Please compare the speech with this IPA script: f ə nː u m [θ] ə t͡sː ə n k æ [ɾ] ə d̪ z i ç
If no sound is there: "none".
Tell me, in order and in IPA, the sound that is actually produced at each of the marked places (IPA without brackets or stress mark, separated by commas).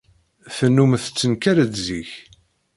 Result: θ, ɾ